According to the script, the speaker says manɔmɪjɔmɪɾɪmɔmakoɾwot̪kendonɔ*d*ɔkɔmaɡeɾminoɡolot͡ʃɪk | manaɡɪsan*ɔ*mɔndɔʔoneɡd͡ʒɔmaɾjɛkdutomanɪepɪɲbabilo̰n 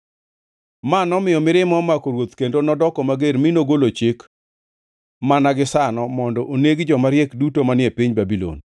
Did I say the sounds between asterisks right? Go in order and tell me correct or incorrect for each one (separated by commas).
correct, correct